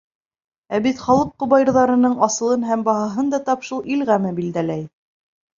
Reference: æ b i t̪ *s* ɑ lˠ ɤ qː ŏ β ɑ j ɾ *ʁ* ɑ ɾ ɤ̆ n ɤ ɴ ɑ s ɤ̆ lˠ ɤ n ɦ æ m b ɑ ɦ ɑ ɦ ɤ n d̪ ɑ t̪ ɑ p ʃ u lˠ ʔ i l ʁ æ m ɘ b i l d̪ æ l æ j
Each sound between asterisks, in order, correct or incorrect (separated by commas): incorrect, incorrect